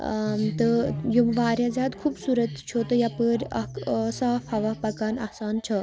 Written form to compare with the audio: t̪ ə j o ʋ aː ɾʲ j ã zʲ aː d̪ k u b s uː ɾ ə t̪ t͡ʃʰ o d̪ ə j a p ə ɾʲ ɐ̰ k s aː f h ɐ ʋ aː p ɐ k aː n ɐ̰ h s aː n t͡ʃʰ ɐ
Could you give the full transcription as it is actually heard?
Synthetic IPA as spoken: t̪ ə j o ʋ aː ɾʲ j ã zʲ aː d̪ kʰ u b s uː ɾ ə t̪ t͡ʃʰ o t̪ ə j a p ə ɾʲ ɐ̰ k s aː f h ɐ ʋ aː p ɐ k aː n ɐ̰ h s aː n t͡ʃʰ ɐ